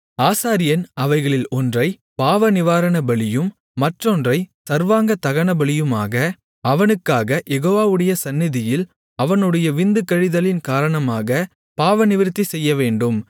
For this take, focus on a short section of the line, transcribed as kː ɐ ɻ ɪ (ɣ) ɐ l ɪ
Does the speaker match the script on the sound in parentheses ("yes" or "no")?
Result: no